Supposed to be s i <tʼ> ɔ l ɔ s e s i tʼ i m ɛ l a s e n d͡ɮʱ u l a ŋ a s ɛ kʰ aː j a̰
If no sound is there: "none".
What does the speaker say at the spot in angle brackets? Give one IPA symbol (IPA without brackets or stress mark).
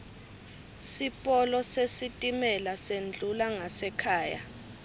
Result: pʼ